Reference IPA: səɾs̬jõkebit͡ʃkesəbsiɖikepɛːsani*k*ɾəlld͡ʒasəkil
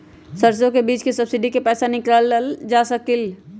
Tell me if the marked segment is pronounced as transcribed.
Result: yes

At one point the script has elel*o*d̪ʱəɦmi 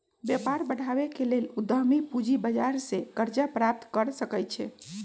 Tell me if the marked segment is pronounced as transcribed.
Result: no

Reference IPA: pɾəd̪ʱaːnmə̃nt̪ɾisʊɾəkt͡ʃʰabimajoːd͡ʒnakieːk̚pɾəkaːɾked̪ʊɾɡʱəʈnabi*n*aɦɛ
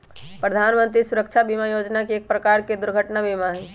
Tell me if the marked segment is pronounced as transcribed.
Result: no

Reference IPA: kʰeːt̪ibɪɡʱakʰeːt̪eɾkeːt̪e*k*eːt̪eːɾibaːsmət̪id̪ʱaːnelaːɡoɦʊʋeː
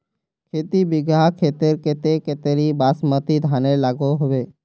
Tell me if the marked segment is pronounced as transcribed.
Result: yes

